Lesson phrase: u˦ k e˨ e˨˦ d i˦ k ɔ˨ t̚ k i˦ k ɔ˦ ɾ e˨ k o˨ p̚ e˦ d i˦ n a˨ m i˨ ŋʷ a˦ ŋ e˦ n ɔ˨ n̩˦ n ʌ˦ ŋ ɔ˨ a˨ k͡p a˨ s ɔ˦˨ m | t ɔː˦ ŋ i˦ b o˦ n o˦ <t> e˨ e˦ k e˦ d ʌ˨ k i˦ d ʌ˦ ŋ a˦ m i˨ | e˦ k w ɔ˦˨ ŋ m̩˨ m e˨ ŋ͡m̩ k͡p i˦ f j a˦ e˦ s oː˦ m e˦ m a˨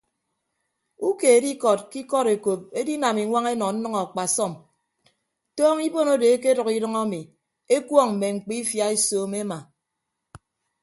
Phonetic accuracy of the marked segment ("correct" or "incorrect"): incorrect